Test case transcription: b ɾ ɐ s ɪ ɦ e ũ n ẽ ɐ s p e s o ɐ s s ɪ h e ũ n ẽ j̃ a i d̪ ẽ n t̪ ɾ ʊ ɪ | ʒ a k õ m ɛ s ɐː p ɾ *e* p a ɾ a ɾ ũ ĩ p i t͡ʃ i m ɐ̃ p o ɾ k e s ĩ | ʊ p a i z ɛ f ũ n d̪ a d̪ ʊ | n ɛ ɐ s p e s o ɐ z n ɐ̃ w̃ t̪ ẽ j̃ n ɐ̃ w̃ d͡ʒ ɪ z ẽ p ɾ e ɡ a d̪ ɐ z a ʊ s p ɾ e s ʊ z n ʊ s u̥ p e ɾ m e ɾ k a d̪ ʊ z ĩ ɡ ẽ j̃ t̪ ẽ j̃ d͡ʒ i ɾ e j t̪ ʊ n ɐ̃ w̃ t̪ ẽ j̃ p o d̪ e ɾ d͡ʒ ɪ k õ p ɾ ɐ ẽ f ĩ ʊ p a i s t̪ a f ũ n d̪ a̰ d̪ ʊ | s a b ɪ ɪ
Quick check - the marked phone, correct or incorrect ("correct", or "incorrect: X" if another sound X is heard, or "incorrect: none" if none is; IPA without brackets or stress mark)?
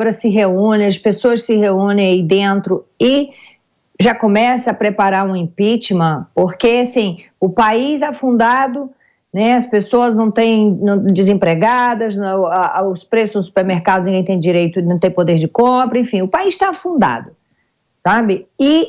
correct